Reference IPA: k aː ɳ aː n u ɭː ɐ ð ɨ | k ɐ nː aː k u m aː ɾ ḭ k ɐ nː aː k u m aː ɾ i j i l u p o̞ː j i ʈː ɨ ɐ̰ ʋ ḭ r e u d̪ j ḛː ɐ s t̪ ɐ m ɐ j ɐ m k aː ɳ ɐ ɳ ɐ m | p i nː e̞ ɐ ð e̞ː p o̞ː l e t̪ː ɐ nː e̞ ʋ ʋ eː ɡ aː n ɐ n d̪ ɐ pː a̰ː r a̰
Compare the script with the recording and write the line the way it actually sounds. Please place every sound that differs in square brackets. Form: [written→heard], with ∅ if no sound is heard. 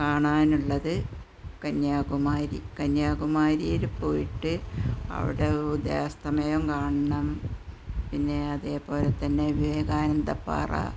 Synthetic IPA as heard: k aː ɳ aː n u ɭː ɐ ð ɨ | k ɐ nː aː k u m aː ɾ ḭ k ɐ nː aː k u m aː ɾ i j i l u p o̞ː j i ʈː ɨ ɐ̰ ʋ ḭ [r→ɽ] e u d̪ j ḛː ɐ s t̪ ɐ m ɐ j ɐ m k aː ɳ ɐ ɳ ɐ m | p i nː e̞ ɐ ð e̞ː p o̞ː l e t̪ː ɐ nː e̞ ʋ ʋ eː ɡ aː n ɐ n d̪ ɐ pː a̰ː r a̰